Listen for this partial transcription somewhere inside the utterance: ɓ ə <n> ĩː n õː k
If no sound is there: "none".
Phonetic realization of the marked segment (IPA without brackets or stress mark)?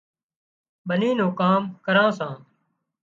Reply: n